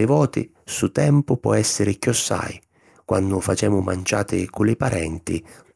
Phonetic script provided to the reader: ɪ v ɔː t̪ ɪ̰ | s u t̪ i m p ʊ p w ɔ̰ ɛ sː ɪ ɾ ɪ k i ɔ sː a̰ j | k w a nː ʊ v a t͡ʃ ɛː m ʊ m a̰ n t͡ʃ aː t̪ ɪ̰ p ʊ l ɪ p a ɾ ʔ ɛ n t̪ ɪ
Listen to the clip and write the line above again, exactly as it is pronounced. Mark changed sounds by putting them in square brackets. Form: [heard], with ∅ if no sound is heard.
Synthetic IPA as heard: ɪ v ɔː t̪ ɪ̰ | s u t̪ [ɛ] m p ʊ p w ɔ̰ ɛ sː ɪ ɾ ɪ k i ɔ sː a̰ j | k w a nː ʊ [f] a t͡ʃ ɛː m ʊ m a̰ n t͡ʃ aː t̪ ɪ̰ [k] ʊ l ɪ p a ɾ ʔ ɛ n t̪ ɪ